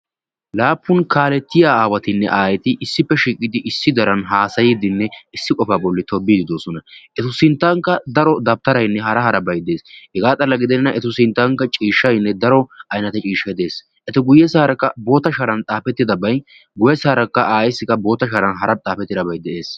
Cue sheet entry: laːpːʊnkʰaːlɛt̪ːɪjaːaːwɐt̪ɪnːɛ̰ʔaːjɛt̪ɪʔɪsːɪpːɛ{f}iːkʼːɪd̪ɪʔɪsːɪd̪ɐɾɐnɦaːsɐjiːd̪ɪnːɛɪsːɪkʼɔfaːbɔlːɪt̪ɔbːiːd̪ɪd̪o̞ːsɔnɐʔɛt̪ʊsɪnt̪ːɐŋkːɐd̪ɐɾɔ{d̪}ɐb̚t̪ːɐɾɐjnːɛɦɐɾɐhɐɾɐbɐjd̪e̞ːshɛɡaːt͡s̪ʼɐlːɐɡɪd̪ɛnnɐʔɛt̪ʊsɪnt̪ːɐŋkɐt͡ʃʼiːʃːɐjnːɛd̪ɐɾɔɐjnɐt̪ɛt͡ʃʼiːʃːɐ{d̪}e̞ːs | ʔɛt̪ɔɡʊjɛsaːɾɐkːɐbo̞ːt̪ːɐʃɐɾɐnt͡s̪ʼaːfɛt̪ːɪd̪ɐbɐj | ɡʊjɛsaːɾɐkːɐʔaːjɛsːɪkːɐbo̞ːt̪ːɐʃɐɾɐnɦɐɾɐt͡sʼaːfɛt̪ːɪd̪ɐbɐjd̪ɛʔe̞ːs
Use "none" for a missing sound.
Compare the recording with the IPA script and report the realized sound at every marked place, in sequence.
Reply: ʃ, d̪, d̪

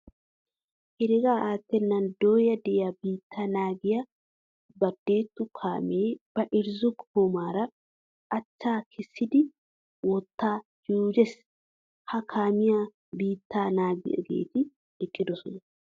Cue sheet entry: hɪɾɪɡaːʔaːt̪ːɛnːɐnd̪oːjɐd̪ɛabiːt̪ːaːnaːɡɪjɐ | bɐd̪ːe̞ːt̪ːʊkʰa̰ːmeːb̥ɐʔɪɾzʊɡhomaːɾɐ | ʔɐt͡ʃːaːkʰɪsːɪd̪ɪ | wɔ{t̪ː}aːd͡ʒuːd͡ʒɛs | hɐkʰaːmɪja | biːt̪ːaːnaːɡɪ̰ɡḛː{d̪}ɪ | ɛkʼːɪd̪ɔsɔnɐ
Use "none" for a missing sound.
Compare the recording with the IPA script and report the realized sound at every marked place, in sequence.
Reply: t̪ː, t̪

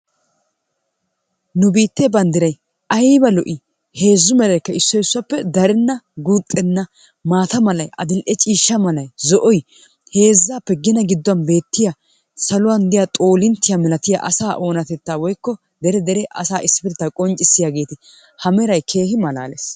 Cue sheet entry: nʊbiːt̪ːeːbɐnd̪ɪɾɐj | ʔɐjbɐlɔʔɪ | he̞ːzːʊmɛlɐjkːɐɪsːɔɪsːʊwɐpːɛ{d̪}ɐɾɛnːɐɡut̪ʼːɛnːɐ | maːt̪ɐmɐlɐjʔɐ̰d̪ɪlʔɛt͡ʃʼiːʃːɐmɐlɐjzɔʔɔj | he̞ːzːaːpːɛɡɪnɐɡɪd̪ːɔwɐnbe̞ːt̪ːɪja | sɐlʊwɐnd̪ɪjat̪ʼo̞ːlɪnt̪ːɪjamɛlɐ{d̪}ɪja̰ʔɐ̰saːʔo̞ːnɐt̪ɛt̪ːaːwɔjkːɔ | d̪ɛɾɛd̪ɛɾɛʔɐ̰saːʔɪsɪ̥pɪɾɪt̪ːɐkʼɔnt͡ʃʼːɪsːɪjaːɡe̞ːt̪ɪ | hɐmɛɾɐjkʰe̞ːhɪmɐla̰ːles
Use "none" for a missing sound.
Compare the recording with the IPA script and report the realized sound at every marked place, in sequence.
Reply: d̪, t̪

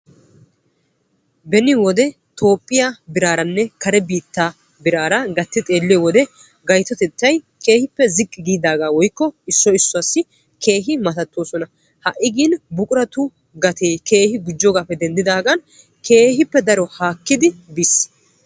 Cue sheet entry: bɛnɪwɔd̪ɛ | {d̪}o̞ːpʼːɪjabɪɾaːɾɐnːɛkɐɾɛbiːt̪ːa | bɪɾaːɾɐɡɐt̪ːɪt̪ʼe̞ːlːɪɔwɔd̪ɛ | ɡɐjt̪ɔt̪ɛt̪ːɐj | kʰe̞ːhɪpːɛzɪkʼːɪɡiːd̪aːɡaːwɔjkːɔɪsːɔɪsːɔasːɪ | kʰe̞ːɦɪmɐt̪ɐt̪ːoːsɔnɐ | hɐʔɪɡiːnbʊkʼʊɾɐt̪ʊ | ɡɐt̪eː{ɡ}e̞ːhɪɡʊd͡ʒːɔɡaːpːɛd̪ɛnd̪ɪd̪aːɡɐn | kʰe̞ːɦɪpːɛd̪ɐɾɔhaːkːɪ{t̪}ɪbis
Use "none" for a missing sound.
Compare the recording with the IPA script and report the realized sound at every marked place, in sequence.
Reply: t̪, k, d̪

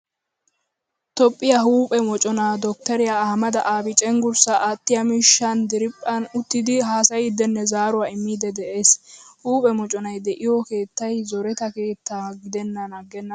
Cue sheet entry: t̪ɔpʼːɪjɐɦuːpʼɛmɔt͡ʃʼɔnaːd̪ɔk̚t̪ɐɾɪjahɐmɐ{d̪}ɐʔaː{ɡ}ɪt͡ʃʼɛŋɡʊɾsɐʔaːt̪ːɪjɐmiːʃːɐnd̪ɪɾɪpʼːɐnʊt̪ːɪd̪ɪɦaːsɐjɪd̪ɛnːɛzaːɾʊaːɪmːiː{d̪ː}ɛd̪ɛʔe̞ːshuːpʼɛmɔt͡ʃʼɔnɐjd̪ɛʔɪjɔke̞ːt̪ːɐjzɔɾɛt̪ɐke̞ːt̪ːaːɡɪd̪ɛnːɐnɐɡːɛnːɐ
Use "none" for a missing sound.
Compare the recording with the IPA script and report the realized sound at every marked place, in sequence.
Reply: d̪, b, d̪

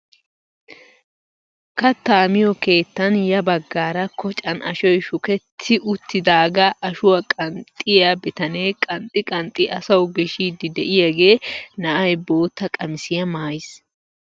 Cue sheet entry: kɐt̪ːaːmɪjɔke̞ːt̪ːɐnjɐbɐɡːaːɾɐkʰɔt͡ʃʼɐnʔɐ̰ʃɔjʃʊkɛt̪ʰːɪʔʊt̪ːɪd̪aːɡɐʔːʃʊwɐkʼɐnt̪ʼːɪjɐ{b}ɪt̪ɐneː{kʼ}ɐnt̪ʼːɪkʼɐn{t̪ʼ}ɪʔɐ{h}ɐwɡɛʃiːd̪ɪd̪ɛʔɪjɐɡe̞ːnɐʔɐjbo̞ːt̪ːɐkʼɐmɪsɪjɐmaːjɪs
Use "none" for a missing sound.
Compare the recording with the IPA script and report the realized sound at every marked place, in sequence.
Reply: b, kʼ, t̪ʼ, s

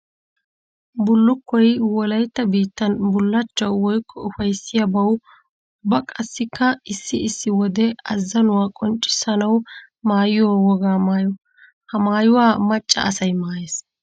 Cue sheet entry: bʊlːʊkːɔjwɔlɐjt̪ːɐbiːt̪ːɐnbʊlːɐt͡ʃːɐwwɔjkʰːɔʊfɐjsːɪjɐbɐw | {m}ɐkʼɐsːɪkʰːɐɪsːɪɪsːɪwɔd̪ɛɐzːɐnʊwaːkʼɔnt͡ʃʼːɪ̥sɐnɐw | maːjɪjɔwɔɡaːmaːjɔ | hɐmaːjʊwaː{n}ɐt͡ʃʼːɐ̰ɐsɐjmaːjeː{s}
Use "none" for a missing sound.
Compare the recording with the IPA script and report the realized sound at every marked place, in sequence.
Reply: b, m, s

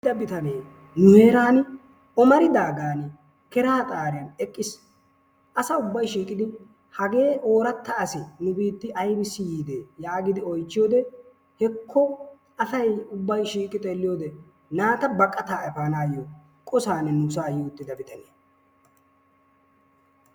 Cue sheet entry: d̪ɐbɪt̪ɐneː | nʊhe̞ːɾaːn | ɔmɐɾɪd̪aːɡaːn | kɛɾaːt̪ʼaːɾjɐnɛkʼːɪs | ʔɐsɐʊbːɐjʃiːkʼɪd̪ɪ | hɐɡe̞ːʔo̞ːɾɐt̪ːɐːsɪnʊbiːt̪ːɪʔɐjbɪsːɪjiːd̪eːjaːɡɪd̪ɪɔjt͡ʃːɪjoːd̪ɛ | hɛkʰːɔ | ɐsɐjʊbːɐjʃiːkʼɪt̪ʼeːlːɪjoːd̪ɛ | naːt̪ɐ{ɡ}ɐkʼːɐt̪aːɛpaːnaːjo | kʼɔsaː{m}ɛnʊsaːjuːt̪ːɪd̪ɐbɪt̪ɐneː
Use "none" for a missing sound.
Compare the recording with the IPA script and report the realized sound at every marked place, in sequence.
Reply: b, n

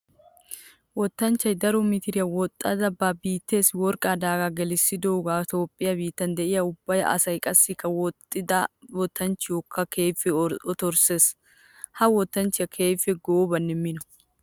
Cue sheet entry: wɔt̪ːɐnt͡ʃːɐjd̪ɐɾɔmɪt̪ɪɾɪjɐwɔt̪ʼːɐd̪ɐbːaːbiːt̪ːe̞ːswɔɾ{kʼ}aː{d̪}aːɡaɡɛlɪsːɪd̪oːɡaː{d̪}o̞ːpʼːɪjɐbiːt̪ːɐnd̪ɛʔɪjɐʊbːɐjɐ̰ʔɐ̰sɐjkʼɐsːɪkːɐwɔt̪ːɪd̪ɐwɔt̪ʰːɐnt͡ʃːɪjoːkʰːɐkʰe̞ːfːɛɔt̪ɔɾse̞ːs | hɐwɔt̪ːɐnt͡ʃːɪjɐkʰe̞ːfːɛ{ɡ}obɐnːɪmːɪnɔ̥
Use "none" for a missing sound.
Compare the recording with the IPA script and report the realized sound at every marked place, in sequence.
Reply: kʼ, d̪, t̪, ɡ

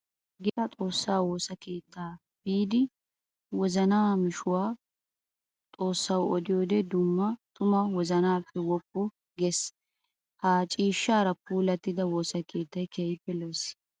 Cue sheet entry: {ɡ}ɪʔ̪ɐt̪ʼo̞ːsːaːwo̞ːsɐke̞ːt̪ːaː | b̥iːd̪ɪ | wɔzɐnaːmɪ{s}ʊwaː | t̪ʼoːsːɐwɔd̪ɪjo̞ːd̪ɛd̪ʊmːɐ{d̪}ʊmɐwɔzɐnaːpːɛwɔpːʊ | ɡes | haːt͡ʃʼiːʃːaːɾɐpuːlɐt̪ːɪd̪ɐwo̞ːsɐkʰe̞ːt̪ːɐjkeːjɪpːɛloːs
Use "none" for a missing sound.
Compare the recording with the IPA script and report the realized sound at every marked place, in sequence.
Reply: ɡ, ʃ, t̪

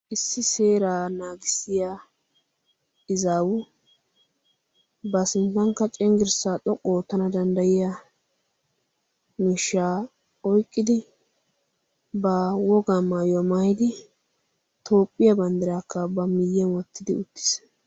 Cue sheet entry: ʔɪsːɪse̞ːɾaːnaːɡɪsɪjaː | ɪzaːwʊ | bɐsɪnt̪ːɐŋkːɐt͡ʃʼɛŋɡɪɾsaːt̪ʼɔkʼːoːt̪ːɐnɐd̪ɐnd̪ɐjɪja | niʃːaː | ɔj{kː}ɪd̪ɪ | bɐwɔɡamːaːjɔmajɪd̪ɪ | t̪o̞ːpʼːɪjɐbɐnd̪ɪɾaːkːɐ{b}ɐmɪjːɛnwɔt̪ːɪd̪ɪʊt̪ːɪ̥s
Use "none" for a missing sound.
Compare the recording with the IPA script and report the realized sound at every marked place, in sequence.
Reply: kʼː, b

